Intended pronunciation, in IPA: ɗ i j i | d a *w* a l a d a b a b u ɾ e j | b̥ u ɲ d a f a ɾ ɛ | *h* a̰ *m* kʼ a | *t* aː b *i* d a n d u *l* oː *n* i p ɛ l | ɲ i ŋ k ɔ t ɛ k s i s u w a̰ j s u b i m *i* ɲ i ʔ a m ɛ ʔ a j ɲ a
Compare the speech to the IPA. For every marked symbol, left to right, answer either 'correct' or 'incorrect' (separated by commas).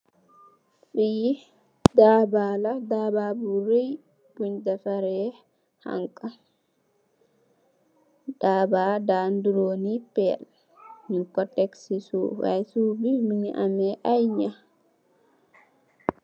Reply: incorrect, correct, incorrect, incorrect, incorrect, incorrect, correct, correct